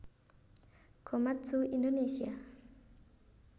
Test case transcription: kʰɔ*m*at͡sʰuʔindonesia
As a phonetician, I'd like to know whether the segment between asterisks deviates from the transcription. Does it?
no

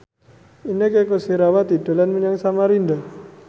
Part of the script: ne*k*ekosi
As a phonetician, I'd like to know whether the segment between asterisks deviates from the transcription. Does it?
no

